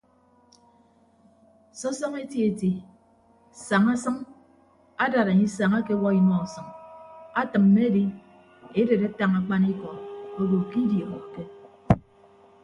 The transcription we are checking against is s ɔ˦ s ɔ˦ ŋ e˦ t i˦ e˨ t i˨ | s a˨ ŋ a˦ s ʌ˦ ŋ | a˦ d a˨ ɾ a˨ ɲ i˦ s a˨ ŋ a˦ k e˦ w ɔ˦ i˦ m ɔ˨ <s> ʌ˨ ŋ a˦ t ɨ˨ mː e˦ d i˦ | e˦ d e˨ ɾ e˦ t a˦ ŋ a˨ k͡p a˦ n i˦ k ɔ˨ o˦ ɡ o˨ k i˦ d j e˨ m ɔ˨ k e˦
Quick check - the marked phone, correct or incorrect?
correct